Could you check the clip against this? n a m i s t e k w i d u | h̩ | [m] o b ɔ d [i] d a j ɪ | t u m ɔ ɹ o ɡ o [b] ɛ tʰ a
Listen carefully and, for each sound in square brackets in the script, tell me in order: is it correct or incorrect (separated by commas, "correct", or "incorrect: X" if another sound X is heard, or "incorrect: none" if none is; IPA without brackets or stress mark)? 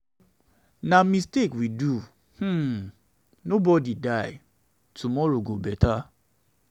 incorrect: n, correct, correct